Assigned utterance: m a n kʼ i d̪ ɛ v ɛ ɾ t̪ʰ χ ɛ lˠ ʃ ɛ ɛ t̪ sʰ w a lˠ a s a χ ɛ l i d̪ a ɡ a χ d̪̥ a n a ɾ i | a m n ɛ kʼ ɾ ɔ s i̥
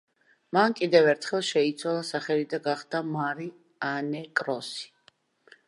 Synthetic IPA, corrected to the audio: m a n kʼ i d̪ ɛ v ɛ ɾ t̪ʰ χ ɛ lˠ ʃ ɛ i t̪ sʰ w a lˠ a s a χ ɛ l i d̪ a ɡ a χ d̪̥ a m a ɾ i | a n ɛ kʼ ɾ ɔ s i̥